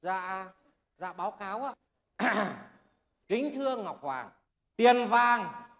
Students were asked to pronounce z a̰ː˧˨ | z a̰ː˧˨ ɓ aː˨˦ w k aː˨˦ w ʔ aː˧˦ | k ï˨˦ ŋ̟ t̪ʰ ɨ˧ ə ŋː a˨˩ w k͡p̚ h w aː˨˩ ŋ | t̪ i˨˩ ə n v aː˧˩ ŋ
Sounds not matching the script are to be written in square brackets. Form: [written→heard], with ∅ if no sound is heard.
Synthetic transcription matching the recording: z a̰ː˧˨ | z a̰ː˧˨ ɓ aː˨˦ w k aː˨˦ w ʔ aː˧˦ | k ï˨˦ ŋ̟ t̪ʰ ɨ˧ ə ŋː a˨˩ w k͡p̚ h w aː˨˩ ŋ | t̪ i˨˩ ə n v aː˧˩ ŋ